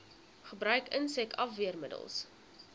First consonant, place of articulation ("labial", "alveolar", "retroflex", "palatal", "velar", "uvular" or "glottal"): uvular